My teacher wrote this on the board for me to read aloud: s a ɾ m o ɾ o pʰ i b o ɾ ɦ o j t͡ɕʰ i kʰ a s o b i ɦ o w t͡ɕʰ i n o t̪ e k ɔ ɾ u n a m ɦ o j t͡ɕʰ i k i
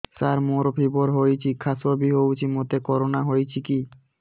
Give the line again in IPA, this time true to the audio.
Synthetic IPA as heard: s a ɾ m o ɾ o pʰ i b o ɾ ɦ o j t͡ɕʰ i kʰ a s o b i ɦ o w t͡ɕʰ i m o t̪ e k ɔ ɾ o n a ɦ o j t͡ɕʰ i k i

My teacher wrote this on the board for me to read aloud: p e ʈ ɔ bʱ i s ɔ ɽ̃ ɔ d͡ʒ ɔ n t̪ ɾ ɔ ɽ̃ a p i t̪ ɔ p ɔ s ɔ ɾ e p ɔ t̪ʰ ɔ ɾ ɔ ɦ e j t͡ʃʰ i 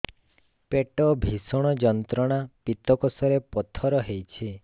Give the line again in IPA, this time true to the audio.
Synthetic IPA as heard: p e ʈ ɔ bʱ i s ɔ ɽ̃ ɔ d͡ʒ ɔ n t̪ ɾ ɔ ɽ̃ a p i t̪ ɔ k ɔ s ɔ ɾ e p ɔ t̪ʰ ɔ ɾ ɔ ɦ e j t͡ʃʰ i

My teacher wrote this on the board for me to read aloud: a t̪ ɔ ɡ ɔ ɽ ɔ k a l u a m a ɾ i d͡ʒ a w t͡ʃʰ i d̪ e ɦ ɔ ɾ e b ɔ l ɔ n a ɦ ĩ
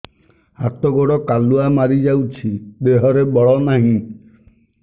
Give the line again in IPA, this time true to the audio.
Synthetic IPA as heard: a t̪ ɔ ɡ ɔ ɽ ɔ k a l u a m a ɾ i d͡ʒ a w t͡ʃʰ i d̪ e ɦ ɔ ɾ e b ɔ ɭ ɔ n a ɦ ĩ

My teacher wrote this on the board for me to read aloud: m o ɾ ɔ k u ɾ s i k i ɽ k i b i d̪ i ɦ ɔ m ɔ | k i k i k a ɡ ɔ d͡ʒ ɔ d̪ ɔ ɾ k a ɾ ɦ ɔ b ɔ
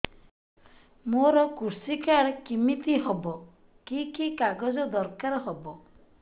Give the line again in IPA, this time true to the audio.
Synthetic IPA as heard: m o ɾ ɔ k u ɾ s i k a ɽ k i m i t̪ i ɦ ɔ b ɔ | k i k i k a ɡ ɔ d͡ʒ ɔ d̪ ɔ ɾ k a ɾ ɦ ɔ b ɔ

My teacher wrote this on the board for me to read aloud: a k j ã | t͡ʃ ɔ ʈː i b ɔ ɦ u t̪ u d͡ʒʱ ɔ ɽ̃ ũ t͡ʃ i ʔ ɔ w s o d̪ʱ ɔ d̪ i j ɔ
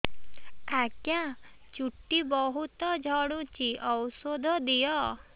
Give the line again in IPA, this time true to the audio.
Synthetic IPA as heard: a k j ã | t͡ʃ u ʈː i b ɔ ɦ u t̪ ɔ d͡ʒʱ ɔ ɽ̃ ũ t͡ʃ i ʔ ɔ w s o d̪ʱ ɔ d̪ i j ɔ

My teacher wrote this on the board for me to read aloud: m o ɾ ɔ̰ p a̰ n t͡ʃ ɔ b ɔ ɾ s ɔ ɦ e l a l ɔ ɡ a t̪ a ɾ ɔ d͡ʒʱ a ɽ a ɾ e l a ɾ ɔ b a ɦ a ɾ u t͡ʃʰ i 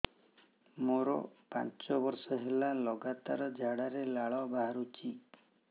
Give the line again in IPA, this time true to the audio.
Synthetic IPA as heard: m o ɾ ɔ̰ p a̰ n t͡ʃ ɔ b ɔ ɾ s ɔ ɦ e l a l ɔ ɡ a t̪ a ɾ ɔ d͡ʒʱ a ɽ a ɾ e l a ɭ ɔ b a ɦ a ɾ u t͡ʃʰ i

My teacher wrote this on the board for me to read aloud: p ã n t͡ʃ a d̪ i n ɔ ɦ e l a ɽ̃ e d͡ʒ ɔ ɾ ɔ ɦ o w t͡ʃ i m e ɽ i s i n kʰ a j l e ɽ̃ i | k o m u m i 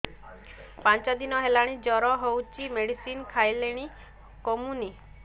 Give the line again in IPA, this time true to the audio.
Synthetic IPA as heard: p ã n t͡ʃ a d̪ i n ɔ ɦ e l a ɽ̃ i d͡ʒ ɔ ɾ ɔ ɦ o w t͡ʃ i m e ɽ i s i n kʰ a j l e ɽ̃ i | k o m u n i

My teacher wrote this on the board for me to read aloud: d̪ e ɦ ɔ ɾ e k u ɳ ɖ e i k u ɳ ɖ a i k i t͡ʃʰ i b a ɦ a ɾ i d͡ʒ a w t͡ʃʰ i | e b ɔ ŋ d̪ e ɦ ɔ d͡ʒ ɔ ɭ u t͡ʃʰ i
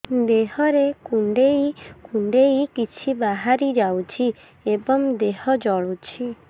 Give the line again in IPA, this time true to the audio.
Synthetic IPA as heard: d̪ e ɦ ɔ ɾ e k u ɳ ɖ e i k u ɳ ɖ e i k i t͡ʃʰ i b a ɦ a ɾ i d͡ʒ a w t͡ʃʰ i | e b ɔ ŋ d̪ e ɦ ɔ d͡ʒ ɔ ɭ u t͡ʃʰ i

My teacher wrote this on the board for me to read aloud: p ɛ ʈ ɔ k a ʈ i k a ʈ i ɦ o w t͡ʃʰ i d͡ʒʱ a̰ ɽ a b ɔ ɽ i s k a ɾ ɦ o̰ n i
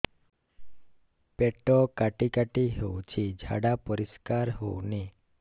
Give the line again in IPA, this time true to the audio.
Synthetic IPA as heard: p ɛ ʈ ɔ k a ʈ i k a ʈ i ɦ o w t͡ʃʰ i d͡ʒʱ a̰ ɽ a p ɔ ɾ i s k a ɾ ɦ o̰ n i

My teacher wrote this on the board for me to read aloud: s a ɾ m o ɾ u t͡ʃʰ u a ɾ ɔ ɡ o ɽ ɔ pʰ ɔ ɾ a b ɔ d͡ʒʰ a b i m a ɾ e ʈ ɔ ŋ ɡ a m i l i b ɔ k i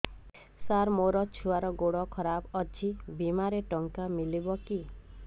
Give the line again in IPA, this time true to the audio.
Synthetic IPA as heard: s a ɾ m o ɾ ɔ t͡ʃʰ u a ɾ ɔ ɡ o ɽ ɔ kʰ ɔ ɾ a b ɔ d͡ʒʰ i b i m a ɾ e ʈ ɔ ŋ k a m i l i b ɔ k i

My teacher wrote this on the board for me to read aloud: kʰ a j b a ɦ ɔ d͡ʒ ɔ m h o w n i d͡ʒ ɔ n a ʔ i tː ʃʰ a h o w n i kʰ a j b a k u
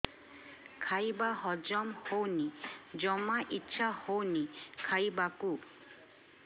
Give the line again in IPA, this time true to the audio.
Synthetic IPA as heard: kʰ a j b a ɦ ɔ d͡ʒ ɔ m h o w n i d͡ʒ ɔ m a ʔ i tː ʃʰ a h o w n i kʰ a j b a k u

